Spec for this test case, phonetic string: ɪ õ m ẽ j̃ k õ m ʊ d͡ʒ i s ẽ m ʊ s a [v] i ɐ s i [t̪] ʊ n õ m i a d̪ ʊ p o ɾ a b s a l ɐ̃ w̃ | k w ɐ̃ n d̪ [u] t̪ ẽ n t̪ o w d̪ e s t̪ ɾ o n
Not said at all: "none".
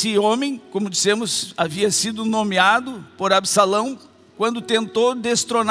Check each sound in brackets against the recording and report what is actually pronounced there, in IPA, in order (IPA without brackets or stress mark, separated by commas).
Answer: v, d̪, ʊ